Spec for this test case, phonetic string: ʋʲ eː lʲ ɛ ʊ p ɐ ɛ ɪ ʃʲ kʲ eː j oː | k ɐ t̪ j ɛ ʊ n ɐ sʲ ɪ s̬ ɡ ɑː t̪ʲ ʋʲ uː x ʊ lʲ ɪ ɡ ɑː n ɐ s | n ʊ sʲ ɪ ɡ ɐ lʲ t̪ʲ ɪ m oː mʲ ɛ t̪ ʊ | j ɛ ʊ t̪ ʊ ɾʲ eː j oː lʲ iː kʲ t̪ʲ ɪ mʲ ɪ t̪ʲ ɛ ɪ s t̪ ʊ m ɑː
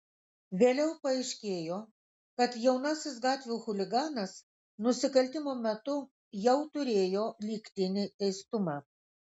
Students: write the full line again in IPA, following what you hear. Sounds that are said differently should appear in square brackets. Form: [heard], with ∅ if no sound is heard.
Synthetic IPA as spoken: ʋʲ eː lʲ ɛ ʊ p ɐ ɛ ɪ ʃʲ kʲ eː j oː | k ɐ t̪ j ɛ ʊ n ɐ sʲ ɪ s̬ ɡ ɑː t̪ʲ ʋʲ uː x ʊ lʲ ɪ ɡ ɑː n ɐ s | n ʊ sʲ ɪ [k] ɐ lʲ t̪ʲ ɪ m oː mʲ ɛ t̪ ʊ | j ɛ ʊ t̪ ʊ ɾʲ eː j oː lʲ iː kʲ t̪ʲ ɪ [nʲ] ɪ t̪ʲ ɛ ɪ s t̪ ʊ m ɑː

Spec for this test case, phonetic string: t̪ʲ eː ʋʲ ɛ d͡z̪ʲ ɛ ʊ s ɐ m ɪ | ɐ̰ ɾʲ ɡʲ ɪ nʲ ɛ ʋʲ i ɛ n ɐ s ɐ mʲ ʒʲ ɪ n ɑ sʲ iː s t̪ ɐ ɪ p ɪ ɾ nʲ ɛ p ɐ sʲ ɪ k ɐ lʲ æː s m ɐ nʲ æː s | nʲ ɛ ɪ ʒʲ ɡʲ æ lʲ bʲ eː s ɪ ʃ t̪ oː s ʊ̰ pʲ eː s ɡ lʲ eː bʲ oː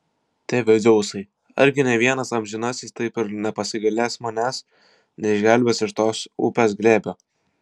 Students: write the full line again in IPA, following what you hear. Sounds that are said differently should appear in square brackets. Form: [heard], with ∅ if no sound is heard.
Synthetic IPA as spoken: t̪ʲ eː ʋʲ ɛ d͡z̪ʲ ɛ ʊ s ɐ [∅] ɪ | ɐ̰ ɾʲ ɡʲ ɪ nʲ ɛ ʋʲ i ɛ n ɐ s ɐ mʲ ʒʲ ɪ n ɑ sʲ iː s t̪ ɐ ɪ p ɪ ɾ nʲ ɛ p ɐ sʲ ɪ [ɡ] ɐ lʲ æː s m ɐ nʲ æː s | nʲ ɛ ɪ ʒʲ ɡʲ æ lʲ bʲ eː s ɪ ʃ t̪ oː s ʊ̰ pʲ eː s ɡ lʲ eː bʲ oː

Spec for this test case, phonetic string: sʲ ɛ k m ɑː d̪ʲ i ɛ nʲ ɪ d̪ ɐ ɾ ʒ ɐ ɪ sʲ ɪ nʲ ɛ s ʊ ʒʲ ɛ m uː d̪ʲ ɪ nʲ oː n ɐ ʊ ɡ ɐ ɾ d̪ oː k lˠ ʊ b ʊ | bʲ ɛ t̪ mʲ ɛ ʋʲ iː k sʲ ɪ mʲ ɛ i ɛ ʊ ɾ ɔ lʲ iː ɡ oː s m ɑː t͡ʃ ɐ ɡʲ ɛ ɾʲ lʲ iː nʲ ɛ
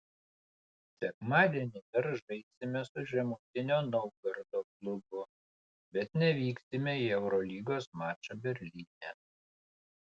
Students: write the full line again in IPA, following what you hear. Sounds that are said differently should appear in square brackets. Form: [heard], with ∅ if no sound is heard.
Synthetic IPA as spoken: sʲ ɛ k m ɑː d̪ʲ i ɛ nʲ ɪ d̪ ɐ ɾ ʒ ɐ ɪ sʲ ɪ [mʲ] ɛ s ʊ ʒʲ ɛ m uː [t̪ʲ] ɪ nʲ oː n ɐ ʊ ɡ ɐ ɾ d̪ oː k lˠ ʊ b ʊ | bʲ ɛ t̪ [nʲ] ɛ ʋʲ iː k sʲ ɪ mʲ ɛ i ɛ ʊ ɾ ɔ lʲ iː ɡ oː s m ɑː t͡ʃ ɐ [bʲ] ɛ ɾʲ lʲ iː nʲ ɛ

